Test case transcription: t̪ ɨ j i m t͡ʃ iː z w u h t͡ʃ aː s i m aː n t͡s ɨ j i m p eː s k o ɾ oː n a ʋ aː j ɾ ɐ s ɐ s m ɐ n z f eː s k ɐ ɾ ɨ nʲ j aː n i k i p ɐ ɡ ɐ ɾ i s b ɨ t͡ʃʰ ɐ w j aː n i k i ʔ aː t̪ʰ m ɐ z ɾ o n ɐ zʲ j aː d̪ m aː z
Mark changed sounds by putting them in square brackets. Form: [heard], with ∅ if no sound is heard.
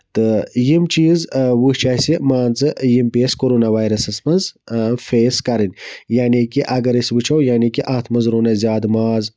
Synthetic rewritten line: t̪ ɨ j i m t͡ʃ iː z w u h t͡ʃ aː s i m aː n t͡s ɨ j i m p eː s k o ɾ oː n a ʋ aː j ɾ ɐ s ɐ s m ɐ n z f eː s k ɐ ɾ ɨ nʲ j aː n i k i [ʔ] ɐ ɡ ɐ ɾ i s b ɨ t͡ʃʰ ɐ w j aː n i k i ʔ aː t̪ʰ m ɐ z ɾ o n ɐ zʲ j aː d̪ m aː z